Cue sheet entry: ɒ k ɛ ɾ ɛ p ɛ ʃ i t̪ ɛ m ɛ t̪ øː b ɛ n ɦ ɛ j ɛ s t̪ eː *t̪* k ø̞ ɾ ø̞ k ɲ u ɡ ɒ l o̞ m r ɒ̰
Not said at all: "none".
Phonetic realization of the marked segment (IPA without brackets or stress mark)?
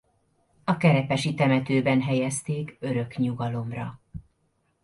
none